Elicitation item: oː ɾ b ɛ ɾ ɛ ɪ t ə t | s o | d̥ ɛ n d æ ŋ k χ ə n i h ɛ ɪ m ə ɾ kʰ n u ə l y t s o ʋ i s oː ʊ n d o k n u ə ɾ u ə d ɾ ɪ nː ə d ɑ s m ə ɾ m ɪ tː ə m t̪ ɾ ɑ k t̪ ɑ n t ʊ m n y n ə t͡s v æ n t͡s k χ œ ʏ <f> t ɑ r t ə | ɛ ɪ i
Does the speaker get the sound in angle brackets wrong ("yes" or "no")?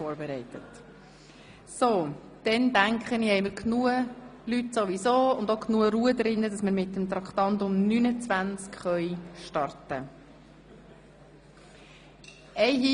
yes